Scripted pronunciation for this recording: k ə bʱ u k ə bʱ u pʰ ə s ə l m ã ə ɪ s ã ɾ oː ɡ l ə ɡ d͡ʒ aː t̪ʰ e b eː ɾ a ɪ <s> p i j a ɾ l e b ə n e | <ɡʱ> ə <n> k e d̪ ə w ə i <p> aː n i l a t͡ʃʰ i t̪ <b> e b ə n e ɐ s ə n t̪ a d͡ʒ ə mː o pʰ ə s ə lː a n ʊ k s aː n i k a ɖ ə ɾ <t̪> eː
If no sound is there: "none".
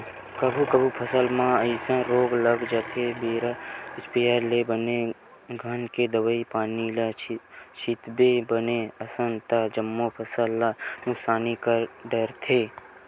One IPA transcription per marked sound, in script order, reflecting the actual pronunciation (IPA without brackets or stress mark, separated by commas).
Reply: s, ɡʱ, n, p, b, t̪ʰ